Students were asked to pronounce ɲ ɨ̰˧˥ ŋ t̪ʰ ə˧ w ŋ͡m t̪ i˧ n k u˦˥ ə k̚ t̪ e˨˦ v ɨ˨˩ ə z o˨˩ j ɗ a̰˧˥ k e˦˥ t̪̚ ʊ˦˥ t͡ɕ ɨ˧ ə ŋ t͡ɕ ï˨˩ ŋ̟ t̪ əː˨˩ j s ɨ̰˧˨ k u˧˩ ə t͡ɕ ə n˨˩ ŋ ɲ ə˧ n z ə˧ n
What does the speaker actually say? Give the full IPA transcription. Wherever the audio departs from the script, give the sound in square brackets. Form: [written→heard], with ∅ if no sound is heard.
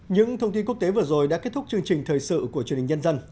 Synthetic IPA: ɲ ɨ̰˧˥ ŋ t̪ʰ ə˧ w ŋ͡m t̪ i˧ n k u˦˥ ə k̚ t̪ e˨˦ v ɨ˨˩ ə z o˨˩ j ɗ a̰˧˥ k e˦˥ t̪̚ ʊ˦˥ t͡ɕ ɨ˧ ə ŋ t͡ɕ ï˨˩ ŋ̟ [t̪→t̪ʰ] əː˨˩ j s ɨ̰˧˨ k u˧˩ ə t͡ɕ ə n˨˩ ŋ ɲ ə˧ n z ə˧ n